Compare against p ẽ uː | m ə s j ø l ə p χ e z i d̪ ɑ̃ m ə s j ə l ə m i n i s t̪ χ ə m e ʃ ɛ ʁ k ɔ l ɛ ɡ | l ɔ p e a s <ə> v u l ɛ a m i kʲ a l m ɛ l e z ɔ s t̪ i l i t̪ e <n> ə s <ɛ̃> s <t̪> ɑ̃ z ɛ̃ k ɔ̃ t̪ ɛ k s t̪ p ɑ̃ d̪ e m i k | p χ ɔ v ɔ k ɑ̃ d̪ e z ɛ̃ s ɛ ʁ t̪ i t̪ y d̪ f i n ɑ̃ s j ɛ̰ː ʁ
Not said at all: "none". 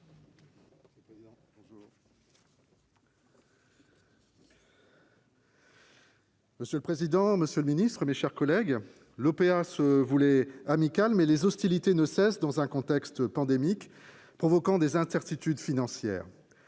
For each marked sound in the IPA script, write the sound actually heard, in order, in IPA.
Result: ə, n, ɛ, d̪

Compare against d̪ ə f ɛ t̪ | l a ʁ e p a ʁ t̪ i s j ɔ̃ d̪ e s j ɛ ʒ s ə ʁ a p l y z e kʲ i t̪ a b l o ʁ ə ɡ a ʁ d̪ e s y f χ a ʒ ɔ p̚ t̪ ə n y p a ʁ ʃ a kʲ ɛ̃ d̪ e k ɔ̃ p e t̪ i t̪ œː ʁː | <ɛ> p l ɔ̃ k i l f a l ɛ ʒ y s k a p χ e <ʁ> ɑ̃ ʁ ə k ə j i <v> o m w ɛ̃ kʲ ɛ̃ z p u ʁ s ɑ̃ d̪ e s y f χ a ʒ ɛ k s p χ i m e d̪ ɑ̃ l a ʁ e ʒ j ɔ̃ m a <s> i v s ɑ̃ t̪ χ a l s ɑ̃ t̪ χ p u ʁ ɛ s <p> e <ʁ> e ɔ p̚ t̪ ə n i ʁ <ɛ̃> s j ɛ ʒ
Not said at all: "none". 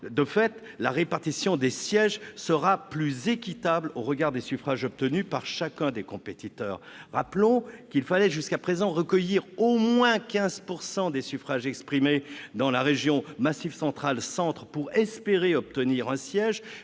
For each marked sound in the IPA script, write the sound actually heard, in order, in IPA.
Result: a, z, ʁ, s, p, ʁ, ɛ̃

